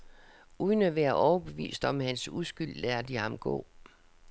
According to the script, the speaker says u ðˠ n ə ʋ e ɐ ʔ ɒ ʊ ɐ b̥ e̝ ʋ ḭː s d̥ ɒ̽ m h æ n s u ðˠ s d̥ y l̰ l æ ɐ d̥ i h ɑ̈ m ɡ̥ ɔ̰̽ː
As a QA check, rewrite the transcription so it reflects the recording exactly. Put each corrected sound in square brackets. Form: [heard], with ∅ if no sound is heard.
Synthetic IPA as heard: u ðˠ n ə ʋ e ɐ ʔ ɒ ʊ ɐ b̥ e̝ ʋ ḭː s d̥ ɒ̽ m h æ n s u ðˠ s [ɡ̥] y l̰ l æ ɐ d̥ i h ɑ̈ m ɡ̥ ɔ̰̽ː